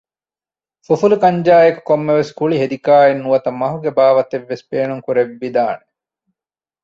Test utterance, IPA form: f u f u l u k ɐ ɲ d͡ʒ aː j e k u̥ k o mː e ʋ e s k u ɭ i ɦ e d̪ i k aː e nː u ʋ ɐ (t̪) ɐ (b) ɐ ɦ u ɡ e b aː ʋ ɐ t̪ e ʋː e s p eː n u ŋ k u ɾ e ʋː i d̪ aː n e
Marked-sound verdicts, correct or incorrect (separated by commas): correct, incorrect